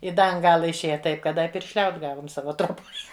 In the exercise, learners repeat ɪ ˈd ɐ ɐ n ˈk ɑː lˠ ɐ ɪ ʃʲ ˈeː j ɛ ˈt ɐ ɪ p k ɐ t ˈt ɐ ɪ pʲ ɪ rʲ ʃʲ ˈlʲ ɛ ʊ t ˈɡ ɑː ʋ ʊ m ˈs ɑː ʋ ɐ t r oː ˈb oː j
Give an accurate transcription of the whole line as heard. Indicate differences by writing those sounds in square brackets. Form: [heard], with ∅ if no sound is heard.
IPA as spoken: ɪ ˈd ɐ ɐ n [ˈɡ] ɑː lˠ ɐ ɪ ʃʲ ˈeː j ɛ ˈt ɐ ɪ p k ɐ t [ˈd] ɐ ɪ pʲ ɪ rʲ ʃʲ ˈlʲ ɛ ʊ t ˈɡ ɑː ʋ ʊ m ˈs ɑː ʋ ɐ t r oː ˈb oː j